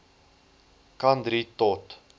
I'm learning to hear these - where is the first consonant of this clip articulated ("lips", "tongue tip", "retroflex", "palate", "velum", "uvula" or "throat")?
velum